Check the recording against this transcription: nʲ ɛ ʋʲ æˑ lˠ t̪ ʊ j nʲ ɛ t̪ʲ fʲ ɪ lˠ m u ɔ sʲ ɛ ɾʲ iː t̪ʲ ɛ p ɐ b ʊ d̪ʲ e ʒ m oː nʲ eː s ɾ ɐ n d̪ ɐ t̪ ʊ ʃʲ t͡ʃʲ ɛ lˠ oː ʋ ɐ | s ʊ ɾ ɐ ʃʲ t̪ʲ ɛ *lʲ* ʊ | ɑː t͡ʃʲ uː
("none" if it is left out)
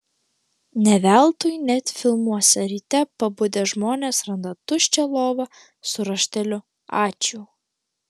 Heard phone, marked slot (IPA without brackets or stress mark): lʲ